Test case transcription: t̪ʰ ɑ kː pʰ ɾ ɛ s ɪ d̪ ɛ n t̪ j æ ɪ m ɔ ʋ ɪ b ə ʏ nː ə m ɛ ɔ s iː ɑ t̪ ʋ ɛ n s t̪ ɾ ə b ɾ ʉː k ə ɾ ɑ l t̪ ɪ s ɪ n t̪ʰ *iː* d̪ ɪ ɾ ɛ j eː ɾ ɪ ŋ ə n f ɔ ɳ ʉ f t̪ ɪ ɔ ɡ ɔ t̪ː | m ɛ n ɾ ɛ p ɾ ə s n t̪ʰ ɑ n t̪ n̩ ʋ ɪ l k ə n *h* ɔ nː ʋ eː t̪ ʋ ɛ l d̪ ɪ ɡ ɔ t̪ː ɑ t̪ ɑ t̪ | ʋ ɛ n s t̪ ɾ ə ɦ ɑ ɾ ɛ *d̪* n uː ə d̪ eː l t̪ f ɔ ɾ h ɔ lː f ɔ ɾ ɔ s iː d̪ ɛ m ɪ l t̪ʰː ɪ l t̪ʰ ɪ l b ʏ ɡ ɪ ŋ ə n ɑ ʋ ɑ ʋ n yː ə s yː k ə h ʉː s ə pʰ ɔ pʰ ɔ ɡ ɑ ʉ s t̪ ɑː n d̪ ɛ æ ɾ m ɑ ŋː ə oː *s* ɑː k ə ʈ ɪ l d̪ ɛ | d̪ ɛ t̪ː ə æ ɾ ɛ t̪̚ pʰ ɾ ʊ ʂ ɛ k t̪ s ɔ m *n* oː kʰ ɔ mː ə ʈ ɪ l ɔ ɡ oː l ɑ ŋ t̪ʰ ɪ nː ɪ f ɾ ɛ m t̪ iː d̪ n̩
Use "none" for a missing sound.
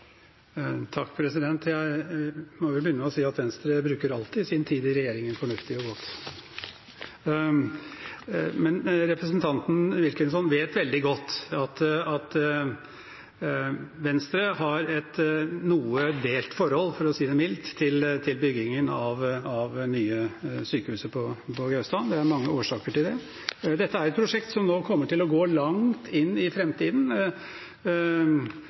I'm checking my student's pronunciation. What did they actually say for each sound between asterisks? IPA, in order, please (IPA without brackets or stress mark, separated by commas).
iː, s, t̪, ʂ, n